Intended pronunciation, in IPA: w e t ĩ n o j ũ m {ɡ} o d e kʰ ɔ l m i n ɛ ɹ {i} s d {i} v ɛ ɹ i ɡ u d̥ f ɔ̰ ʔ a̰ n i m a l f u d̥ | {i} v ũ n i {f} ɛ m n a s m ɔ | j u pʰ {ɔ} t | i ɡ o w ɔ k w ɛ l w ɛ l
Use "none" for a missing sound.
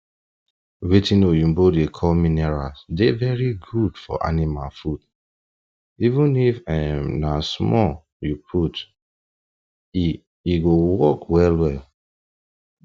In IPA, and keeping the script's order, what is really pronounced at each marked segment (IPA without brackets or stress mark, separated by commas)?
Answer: b, a, e, i, f, u